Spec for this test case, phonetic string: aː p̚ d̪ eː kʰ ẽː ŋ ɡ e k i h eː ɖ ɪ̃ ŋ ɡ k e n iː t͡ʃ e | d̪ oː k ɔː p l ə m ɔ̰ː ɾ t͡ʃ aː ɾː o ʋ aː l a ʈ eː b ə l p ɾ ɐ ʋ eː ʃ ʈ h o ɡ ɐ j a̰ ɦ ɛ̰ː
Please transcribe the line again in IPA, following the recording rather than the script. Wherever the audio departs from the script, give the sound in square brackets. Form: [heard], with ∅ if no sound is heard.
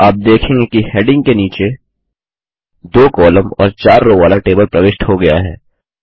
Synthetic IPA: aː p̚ d̪ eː kʰ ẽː ŋ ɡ e k i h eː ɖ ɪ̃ ŋ ɡ k e n iː t͡ʃ e | d̪ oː k ɔː [∅] l ə m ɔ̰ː ɾ t͡ʃ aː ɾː o ʋ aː l a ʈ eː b ə l p ɾ ɐ ʋ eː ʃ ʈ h o ɡ ɐ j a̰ ɦ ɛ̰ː